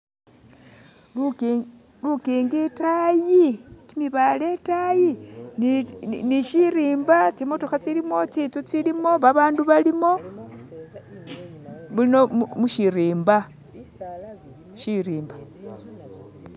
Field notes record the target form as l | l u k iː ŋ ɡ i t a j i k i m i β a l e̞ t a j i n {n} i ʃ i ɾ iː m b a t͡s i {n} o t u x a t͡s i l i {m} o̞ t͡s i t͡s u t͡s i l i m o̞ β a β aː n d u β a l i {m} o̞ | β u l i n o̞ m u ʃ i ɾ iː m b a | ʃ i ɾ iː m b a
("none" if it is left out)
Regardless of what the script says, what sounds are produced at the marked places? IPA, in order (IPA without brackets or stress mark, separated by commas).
n, m, m, m